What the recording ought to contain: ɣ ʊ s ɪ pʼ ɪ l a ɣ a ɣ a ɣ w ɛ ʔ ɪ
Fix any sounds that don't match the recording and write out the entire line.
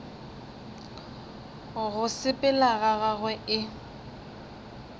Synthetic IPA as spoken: ɣ ʊ s ɪ pʼ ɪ l a ɣ a ɣ a ɣ w ɛ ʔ ɪ